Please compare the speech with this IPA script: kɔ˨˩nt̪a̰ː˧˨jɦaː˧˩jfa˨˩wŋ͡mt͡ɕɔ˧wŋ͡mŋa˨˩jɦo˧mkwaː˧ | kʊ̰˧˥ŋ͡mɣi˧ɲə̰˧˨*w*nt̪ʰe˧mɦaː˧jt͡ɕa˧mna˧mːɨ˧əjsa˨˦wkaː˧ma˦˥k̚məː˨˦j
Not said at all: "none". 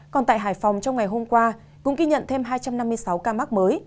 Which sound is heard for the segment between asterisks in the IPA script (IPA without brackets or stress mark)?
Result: none